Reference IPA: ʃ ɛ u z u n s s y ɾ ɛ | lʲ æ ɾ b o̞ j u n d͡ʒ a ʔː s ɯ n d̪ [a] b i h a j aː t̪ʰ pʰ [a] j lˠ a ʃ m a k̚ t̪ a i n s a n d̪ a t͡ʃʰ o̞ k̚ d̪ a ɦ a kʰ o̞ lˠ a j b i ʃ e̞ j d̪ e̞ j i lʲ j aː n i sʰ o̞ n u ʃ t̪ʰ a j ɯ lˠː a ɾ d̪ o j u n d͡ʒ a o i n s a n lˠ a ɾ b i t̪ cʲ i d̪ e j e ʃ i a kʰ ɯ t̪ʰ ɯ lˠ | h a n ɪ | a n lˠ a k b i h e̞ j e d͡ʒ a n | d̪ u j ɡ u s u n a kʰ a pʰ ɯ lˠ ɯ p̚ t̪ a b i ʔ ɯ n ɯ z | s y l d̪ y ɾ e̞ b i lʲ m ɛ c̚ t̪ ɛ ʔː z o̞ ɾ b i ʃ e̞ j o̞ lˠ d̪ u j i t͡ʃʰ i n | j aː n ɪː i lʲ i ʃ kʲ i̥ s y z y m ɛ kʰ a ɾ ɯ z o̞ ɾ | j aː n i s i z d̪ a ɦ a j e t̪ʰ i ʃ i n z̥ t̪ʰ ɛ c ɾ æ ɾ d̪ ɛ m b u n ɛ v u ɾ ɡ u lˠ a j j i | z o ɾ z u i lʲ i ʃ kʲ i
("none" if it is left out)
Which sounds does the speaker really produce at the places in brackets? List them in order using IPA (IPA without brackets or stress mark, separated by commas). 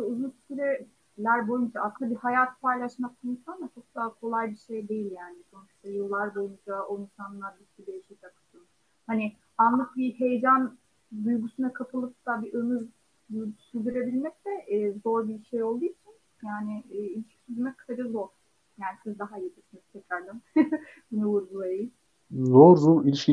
a, a